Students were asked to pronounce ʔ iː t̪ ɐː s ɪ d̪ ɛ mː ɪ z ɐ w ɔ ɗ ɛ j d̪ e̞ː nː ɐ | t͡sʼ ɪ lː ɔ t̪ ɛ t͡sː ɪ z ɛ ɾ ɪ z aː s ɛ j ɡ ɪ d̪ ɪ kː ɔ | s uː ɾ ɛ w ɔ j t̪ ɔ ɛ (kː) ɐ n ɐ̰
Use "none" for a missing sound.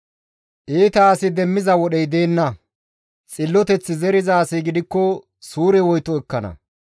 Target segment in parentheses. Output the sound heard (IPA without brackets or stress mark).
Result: kː